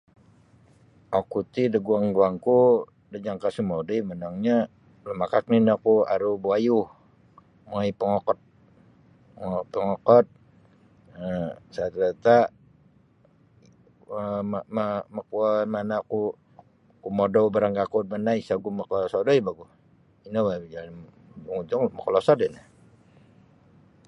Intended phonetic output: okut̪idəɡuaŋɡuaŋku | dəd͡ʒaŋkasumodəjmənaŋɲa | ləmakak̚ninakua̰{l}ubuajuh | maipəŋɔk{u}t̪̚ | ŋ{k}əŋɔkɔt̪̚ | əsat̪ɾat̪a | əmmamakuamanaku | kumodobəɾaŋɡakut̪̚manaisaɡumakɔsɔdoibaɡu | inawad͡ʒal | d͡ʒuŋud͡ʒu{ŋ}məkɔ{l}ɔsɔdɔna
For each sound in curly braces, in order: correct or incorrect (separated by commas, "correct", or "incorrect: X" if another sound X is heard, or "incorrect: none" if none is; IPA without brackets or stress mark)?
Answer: incorrect: ɾ, incorrect: ɔ, incorrect: p, correct, correct